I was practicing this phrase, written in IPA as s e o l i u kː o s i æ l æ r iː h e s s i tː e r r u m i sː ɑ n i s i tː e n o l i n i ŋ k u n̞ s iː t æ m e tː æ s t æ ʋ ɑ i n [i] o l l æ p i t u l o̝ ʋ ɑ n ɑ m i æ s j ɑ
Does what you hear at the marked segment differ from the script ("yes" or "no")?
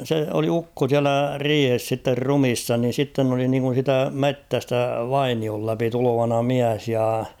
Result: no